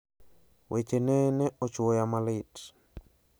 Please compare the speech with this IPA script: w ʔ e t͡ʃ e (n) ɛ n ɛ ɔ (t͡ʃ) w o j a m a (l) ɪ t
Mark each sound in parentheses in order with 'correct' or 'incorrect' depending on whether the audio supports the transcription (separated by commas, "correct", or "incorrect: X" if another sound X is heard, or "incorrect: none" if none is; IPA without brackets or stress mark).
correct, correct, correct